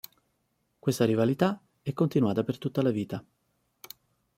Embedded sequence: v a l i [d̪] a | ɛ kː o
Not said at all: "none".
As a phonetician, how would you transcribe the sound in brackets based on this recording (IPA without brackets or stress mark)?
t̪